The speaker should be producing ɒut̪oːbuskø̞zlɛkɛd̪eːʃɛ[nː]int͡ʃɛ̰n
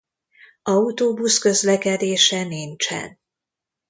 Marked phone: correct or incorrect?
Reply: incorrect: n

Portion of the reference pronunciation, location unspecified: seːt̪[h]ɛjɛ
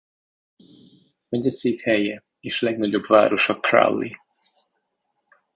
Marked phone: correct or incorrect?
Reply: correct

